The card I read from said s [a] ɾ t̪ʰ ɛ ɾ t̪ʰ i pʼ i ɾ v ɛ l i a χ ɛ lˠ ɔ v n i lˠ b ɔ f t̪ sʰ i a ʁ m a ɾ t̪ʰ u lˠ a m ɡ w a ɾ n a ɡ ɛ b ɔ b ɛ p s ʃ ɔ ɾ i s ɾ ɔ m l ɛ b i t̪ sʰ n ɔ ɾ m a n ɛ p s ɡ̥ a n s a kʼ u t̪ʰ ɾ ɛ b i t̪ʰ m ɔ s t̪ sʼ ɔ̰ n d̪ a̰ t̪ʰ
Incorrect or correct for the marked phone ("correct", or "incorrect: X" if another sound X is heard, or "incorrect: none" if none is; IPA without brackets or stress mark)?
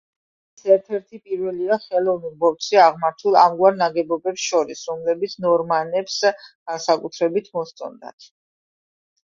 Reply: incorrect: ɛ